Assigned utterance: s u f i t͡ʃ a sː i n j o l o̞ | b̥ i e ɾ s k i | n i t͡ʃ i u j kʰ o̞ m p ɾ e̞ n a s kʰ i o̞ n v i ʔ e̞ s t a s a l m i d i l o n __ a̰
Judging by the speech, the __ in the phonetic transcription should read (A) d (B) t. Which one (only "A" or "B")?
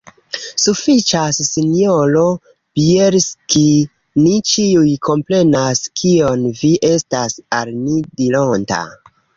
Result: B